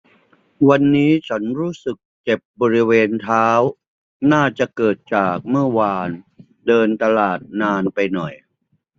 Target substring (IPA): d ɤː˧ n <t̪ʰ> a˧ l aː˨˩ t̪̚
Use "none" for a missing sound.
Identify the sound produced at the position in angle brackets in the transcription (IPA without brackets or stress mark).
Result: t̪